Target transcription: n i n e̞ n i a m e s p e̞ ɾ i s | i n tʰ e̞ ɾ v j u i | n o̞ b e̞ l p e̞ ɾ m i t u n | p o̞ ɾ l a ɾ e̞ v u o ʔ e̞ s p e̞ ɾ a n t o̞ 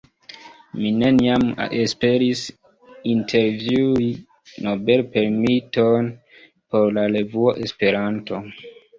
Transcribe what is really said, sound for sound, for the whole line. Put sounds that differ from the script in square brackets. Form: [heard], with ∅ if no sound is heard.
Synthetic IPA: [m] i n e̞ n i a m e s p e̞ ɾ i s | i n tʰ e̞ ɾ v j u i | n o̞ b e̞ l p e̞ ɾ m i t [o] n | p o̞ ɾ l a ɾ e̞ v u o ʔ e̞ s p e̞ ɾ a n t o̞